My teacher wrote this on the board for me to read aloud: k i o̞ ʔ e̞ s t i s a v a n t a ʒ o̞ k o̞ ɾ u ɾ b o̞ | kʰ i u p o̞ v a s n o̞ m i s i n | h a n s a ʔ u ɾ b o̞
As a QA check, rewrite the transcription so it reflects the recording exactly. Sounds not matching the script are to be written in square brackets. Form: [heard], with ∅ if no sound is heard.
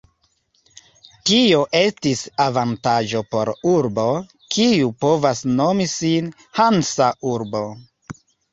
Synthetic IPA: [t] i o̞ ʔ e̞ s t i s a v a n t a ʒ o̞ [p] o̞ ɾ u ɾ b o̞ | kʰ i u p o̞ v a s n o̞ m i s i n | h a n s a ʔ u ɾ b o̞